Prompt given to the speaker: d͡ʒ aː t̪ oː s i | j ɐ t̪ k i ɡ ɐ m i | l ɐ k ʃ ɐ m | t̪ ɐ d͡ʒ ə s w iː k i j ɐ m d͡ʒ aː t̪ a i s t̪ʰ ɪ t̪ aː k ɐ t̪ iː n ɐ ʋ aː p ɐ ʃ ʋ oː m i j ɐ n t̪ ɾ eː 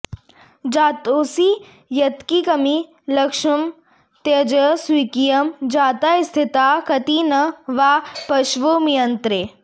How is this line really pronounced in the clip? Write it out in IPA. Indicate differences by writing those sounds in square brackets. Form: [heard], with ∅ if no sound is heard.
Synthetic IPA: d͡ʒ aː t̪ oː s i | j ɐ t̪ k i [k] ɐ m i | l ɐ k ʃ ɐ m | t̪ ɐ d͡ʒ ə s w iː k i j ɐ m d͡ʒ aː t̪ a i s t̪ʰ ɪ t̪ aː k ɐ t̪ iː n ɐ ʋ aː p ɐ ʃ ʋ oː m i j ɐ n t̪ ɾ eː